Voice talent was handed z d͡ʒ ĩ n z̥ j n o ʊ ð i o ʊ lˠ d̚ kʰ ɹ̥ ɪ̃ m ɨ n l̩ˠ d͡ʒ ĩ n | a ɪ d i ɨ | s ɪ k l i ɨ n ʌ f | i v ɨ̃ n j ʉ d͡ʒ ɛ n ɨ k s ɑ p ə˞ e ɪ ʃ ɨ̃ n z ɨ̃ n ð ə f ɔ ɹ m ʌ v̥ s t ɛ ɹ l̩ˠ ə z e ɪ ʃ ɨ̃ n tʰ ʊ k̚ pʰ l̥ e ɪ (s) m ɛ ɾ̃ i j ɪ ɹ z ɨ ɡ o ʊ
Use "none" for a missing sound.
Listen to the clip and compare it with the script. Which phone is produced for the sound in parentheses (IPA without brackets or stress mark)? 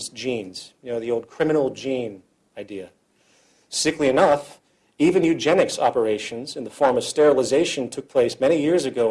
s